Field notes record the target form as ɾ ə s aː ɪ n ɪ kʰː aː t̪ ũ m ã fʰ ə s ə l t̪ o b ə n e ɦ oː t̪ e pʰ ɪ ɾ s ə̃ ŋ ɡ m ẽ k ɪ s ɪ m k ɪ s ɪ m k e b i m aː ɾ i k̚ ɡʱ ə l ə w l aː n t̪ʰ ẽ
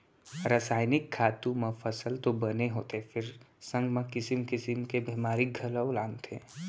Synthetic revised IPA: ɾ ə s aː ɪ n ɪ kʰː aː t̪ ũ m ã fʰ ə s ə l t̪ o b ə n e ɦ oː t̪ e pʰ ɪ ɾ s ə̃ ŋ ɡ m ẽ k ɪ s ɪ m k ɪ s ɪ m k e b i m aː ɾ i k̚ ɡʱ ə l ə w l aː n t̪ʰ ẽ